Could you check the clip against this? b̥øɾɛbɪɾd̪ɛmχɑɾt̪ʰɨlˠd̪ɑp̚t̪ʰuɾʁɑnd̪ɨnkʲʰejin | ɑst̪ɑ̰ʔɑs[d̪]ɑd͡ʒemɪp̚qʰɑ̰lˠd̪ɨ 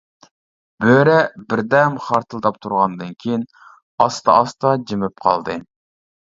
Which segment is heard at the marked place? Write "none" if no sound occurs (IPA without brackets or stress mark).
t̪